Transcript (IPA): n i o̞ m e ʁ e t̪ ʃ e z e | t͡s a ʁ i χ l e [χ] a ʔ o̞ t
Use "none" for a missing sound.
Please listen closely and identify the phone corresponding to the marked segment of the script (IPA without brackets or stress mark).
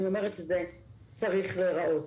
ʁ